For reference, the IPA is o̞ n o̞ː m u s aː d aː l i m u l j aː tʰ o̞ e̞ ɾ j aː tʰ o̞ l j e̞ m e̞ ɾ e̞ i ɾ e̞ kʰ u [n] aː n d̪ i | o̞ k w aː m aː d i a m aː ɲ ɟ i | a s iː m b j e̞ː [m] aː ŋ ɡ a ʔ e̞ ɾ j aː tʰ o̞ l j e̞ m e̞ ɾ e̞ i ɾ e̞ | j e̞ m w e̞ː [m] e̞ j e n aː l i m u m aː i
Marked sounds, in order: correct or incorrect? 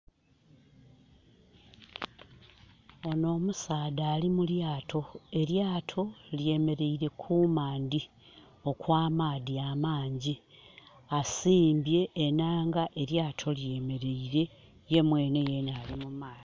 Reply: incorrect: m, incorrect: n, incorrect: n

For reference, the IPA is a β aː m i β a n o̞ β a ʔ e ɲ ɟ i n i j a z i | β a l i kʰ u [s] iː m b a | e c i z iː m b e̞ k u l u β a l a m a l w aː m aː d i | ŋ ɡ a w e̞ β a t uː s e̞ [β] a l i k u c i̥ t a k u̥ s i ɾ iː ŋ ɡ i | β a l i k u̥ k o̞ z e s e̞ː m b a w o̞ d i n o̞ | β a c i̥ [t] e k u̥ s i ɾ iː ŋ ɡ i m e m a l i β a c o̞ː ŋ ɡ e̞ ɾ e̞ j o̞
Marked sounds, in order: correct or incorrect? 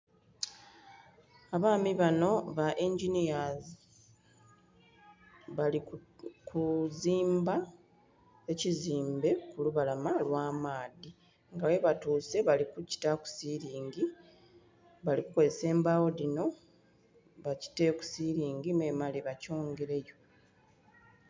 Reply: incorrect: z, correct, correct

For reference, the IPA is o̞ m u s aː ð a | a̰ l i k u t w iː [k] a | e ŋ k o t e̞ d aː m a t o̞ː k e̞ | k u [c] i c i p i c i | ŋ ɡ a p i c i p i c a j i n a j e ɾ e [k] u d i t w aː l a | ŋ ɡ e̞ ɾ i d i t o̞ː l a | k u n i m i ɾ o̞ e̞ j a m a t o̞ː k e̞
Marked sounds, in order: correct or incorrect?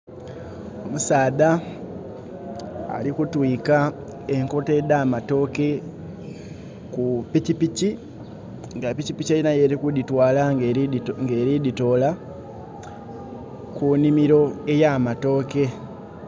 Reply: correct, incorrect: p, correct

